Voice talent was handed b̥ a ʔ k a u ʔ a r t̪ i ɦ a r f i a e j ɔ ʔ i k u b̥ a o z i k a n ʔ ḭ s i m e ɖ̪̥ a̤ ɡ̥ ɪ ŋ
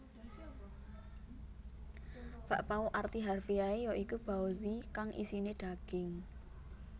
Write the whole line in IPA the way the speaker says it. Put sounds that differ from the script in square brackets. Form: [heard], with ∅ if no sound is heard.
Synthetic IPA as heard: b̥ a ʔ [p] a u ʔ a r t̪ i ɦ a r f i a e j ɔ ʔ i k u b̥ a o z i k a [ŋ] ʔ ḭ s i [n] e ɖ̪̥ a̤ ɡ̥ ɪ ŋ